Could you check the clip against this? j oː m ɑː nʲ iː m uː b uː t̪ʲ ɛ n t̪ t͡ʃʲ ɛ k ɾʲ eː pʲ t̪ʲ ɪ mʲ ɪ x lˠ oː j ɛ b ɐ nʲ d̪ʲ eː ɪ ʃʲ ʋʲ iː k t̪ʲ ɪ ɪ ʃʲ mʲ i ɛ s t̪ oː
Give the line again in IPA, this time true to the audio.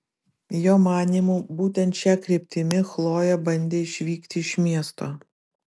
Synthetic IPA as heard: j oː m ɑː nʲ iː m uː b uː t̪ʲ ɛ n t̪ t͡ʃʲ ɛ k ɾʲ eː pʲ t̪ʲ ɪ mʲ ɪ x lˠ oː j ɛ b ɐ nʲ d̪ʲ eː ɪ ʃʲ ʋʲ iː k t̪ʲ ɪ ɪ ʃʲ mʲ i ɛ s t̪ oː